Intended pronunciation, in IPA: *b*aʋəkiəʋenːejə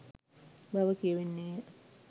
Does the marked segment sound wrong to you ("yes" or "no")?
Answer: no